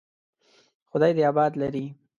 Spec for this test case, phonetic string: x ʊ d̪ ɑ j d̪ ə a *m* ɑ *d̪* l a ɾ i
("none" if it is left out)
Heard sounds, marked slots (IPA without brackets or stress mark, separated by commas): b, d̪